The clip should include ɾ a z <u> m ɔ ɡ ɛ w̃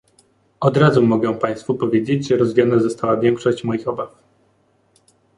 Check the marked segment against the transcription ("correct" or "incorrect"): correct